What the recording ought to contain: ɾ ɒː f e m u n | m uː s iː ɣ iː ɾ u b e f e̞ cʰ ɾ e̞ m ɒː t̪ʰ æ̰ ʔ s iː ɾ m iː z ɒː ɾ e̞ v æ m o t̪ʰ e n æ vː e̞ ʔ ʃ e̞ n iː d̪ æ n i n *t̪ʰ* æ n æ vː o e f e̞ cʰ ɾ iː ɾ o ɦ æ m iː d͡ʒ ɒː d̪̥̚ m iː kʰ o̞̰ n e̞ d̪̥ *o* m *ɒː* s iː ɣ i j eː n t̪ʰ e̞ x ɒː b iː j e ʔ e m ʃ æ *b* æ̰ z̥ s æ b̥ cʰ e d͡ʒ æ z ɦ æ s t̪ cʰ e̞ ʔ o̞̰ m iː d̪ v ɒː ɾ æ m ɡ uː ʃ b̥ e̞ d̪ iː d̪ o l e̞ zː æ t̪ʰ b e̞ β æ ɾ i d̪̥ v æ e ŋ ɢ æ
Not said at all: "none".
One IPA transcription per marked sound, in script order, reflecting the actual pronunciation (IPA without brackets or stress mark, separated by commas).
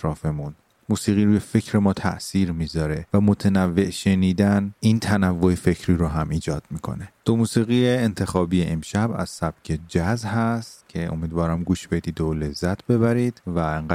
t̪ʰ, o, uː, b